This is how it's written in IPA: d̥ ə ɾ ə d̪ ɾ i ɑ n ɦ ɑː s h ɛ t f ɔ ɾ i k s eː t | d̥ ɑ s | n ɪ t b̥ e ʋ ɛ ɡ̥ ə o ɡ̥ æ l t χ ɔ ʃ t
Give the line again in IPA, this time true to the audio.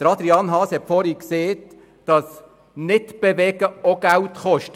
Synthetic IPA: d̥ ə ɾ ɑ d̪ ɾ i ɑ n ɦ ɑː s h ɛ t f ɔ ɾ i k s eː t | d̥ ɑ s | n ɪ t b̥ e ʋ ɛ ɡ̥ ə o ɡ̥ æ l t χ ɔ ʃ t